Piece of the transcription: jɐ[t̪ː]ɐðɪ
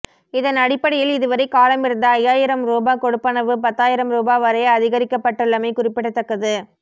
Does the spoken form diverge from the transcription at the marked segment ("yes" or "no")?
yes